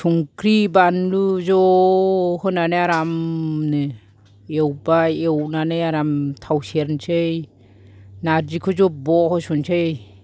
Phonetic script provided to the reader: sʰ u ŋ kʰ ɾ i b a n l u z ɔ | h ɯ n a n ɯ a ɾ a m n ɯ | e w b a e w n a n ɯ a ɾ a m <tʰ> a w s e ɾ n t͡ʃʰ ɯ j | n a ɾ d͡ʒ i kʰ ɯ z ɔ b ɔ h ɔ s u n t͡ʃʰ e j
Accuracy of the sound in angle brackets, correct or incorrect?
correct